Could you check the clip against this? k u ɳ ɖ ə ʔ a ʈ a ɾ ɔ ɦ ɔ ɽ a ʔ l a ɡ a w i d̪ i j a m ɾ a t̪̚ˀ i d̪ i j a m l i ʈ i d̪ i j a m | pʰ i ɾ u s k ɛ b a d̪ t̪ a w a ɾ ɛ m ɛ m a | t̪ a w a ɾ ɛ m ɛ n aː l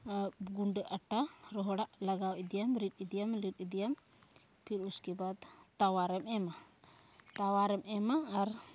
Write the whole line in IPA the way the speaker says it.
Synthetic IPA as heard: ɡ u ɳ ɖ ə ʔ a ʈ a ɾ ɔ ɦ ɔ ɽ a ʔ l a ɡ a w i d̪ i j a m ɾ i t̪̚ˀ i d̪ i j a m l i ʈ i d̪ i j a m | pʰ i ɾ u s k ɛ b a d̪ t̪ a w a ɾ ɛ m ɛ m a | t̪ a w a ɾ ɛ m ɛ m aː ɾ